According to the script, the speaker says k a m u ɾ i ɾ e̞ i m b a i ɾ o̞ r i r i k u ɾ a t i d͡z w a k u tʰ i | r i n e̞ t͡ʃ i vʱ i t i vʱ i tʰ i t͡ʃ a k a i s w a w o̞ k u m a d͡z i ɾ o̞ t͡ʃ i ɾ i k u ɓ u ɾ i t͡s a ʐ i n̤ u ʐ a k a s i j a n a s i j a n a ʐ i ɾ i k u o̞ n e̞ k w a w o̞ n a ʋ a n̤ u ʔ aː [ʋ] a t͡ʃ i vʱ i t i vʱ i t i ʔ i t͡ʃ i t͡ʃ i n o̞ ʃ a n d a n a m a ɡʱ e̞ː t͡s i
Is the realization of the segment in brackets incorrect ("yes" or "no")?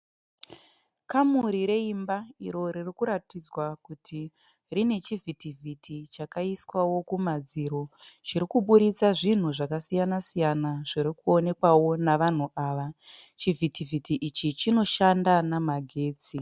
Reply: no